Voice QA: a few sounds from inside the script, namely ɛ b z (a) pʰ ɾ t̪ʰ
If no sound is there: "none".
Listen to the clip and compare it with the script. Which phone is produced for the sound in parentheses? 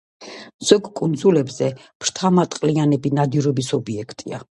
ɛ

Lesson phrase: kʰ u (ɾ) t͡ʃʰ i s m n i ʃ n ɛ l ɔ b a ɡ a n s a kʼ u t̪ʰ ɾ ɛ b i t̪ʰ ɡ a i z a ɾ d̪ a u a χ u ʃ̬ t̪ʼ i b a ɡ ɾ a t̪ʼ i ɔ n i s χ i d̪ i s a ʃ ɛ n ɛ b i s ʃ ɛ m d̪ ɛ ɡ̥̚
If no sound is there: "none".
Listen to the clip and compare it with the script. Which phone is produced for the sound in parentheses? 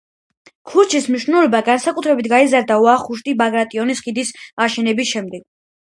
ɾ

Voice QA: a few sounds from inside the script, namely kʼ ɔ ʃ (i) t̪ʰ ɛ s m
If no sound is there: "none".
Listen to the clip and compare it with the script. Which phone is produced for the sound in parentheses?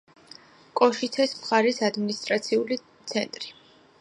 i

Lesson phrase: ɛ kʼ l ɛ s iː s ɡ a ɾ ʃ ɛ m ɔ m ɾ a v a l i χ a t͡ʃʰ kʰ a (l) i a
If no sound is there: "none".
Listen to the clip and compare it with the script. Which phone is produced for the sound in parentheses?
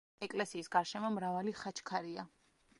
ɾ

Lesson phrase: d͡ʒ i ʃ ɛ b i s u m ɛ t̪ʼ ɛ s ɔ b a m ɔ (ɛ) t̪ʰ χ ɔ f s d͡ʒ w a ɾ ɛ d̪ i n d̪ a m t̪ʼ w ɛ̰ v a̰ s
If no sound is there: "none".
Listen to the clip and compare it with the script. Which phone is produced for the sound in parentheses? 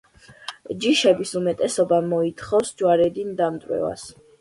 i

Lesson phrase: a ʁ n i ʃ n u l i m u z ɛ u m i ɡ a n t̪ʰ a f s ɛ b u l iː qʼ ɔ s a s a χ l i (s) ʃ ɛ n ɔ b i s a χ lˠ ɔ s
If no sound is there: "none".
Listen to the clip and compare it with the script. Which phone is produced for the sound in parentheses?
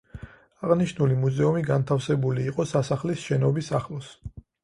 s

